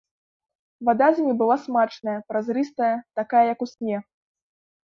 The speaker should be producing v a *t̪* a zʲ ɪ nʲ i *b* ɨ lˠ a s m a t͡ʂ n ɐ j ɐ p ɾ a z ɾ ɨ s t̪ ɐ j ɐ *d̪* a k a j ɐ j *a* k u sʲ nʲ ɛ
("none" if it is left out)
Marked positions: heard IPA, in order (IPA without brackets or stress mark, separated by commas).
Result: d̪, b, t̪, ɐ